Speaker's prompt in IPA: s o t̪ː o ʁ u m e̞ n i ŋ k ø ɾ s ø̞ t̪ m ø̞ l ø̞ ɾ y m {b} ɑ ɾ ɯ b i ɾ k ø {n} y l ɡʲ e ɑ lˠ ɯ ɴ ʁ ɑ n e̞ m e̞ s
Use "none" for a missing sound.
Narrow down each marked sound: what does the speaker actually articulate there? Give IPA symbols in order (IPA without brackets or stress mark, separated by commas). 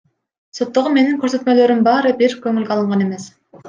b, ŋ